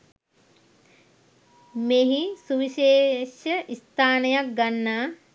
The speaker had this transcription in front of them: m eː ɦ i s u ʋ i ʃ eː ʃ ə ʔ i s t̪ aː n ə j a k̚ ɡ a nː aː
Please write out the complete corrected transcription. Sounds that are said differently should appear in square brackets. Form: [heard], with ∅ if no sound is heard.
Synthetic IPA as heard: m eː ɦ i s u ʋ i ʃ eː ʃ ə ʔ i s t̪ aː n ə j a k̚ ɡ a nː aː